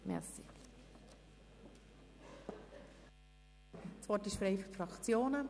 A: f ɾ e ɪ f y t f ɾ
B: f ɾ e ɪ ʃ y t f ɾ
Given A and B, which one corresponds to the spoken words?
A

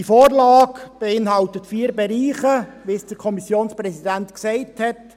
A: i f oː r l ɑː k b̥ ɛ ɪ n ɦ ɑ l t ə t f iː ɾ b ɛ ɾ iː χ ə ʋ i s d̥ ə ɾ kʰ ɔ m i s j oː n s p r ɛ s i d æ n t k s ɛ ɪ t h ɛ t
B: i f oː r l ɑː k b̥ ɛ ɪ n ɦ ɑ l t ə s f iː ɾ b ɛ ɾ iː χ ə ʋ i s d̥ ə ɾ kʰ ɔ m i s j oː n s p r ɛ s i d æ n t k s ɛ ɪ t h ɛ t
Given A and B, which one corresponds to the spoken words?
A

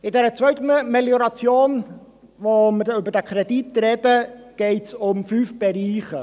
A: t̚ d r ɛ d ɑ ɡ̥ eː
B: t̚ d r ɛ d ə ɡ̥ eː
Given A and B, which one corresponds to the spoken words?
B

